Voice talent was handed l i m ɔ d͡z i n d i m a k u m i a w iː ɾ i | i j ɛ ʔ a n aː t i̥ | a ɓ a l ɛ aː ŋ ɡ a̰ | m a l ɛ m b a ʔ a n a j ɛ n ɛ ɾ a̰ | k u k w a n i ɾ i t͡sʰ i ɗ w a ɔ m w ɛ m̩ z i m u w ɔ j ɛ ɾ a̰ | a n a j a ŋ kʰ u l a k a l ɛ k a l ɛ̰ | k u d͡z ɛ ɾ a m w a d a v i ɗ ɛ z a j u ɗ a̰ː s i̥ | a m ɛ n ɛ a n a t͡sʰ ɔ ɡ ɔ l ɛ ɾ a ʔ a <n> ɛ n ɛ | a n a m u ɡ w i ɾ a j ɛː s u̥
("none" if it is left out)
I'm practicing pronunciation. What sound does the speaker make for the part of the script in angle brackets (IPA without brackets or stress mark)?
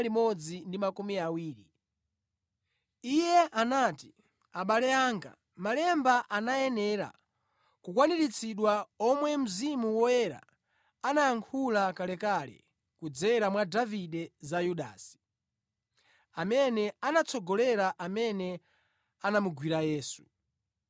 m